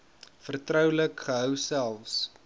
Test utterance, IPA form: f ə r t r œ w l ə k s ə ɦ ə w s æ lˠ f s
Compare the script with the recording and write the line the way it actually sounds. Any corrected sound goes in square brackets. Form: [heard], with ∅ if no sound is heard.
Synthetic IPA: f ə r t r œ w l ə k [χ] ə ɦ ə w s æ lˠ f s